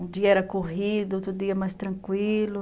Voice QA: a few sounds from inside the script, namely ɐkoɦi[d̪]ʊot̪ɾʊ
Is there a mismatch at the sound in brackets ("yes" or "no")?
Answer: no